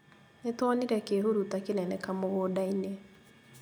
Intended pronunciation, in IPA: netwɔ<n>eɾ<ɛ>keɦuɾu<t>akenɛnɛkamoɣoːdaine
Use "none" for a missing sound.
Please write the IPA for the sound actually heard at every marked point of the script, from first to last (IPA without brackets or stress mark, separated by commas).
n, ɛ, t